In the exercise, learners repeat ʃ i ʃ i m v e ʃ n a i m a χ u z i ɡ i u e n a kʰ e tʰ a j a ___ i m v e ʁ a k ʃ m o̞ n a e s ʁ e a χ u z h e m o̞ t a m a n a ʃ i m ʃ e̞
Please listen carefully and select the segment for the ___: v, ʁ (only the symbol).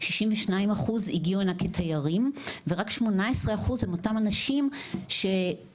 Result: ʁ